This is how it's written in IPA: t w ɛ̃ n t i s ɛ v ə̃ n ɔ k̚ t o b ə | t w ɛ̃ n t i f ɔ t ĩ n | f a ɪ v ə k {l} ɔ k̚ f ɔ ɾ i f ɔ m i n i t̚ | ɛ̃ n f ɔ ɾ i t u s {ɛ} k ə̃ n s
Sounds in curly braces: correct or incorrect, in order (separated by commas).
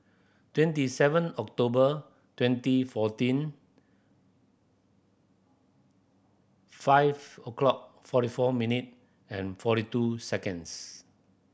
correct, correct